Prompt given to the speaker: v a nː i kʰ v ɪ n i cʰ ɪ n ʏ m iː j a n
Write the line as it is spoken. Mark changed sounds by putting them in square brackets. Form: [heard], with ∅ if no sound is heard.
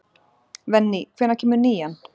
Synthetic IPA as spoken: v [ɛ] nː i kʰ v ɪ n [a] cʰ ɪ [m] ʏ [n] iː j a n